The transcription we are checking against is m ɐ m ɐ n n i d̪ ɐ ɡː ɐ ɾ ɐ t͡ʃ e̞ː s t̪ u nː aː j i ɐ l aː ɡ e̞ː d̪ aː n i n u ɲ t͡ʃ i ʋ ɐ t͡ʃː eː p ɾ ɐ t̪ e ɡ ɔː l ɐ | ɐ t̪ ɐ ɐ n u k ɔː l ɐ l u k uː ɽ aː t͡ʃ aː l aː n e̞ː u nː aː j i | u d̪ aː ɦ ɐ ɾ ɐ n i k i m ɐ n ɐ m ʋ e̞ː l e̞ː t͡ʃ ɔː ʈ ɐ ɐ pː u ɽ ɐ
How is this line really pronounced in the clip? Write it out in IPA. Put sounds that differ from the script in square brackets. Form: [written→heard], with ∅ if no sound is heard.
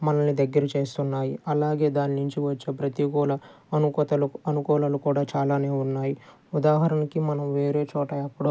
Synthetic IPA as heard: m ɐ [m→n] ɐ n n i d̪ ɐ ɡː ɐ ɾ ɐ t͡ʃ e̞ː s t̪ u nː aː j i ɐ l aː ɡ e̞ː d̪ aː n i n u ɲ t͡ʃ i ʋ ɐ t͡ʃː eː p ɾ ɐ t̪ [e→i] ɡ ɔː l ɐ | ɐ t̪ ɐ ɐ n u k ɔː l ɐ l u k uː ɽ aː t͡ʃ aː l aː n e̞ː u nː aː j i | u d̪ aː ɦ ɐ ɾ ɐ n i k i m ɐ n ɐ m ʋ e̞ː [l→ɾ] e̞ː t͡ʃ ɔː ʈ ɐ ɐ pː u ɽ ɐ